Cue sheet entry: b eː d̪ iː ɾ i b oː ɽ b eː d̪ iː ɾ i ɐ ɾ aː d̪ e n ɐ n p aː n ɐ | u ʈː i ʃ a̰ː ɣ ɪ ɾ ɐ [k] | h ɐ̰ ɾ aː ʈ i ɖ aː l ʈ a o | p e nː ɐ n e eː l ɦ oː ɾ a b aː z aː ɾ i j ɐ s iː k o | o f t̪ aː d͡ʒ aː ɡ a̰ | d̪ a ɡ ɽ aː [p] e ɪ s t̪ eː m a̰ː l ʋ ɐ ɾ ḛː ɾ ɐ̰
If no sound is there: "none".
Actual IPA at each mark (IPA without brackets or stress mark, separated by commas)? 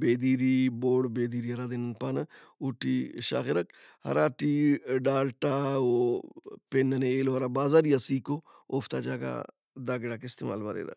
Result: k, k